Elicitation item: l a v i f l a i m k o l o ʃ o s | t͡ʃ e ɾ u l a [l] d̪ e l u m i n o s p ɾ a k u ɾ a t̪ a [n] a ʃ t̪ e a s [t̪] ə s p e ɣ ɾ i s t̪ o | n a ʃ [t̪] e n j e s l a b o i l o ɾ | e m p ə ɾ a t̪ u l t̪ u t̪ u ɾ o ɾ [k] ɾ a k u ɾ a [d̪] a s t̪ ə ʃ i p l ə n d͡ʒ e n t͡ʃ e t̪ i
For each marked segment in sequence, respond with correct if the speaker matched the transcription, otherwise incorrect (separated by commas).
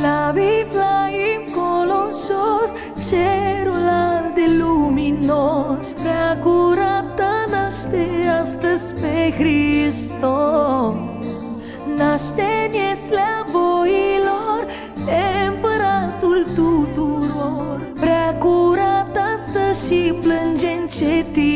incorrect, correct, correct, correct, incorrect, incorrect